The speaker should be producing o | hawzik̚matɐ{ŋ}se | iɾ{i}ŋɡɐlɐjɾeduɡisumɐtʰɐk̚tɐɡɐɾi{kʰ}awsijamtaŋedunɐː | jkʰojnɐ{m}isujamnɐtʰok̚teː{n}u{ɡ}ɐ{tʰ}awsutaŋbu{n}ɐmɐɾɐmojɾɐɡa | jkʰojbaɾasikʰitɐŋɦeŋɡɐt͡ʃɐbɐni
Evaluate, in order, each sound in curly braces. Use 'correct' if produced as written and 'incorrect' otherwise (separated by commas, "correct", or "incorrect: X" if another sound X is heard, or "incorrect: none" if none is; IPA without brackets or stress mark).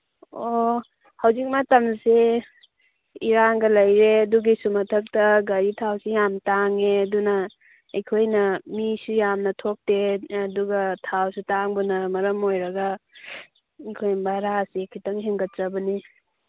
incorrect: m, incorrect: a, incorrect: tʰ, correct, incorrect: d, correct, correct, correct